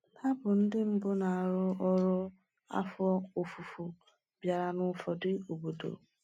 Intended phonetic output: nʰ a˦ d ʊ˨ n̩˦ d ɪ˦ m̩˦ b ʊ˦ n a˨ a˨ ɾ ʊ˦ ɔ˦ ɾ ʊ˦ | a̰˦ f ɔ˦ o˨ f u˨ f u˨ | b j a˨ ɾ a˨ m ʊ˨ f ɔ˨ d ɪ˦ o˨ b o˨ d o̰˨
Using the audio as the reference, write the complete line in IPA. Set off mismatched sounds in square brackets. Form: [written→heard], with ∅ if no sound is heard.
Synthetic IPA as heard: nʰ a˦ [d→b] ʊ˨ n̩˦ d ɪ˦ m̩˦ b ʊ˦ n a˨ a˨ ɾ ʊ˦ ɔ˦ ɾ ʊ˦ | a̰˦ f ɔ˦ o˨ f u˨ f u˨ | b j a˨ ɾ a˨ [m→n] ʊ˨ f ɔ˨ d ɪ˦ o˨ b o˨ d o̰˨